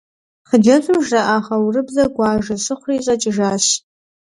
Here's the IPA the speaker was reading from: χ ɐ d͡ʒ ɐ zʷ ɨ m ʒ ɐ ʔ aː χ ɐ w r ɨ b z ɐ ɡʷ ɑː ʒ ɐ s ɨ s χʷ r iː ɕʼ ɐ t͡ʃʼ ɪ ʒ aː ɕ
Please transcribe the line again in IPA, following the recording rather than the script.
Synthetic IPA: χ ə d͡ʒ ɐ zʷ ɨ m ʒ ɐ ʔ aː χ ɐ w r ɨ b z ɐ ɡʷ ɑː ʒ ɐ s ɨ χʷ r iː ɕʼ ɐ t͡ʃʼ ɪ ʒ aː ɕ